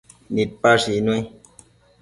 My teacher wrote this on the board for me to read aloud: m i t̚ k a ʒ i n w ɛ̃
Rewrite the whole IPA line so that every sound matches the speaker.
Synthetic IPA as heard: n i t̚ p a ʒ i n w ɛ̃

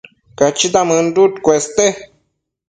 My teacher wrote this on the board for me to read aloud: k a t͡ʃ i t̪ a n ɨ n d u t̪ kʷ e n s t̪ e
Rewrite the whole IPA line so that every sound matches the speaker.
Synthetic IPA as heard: k a t͡ʃ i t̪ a m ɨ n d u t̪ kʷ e s t̪ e

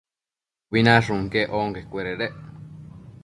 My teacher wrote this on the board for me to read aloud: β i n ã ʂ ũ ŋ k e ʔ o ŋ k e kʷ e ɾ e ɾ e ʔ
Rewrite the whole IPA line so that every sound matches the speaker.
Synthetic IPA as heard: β i n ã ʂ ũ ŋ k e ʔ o ŋ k e kʷ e ɾ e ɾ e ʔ

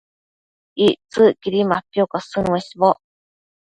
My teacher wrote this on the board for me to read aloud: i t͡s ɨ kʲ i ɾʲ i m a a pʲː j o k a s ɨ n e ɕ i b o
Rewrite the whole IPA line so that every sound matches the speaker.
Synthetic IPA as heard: i t͡s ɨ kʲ i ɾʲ i m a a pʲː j o k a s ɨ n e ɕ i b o

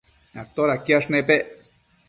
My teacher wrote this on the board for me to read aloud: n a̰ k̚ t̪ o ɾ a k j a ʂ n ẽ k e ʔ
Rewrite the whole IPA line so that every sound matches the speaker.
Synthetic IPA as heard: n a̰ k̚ t̪ o ɾ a k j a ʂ n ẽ p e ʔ

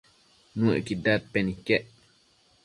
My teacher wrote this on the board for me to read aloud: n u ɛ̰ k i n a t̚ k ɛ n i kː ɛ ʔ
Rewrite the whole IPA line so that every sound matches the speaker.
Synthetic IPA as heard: n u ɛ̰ k i d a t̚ p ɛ n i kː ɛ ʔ

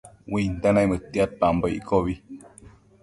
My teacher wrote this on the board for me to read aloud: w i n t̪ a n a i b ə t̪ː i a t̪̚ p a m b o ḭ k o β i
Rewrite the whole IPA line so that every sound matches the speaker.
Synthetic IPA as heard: w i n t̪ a n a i m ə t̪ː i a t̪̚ p a m b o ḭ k o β i

